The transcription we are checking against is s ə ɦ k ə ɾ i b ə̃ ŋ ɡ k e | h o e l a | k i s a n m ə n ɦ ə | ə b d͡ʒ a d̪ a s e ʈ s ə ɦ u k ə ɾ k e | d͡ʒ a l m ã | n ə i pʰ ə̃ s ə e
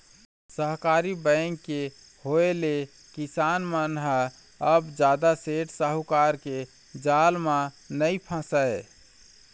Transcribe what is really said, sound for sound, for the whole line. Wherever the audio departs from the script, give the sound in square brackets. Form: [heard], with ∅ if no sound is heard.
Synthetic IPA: s ə ɦ k [a] ɾ i b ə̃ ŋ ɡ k e | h o e l [e] | k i s a n m ə n ɦ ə | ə b d͡ʒ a d̪ a s e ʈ s ə ɦ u k [a] ɾ k e | d͡ʒ a l m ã | n ə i pʰ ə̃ s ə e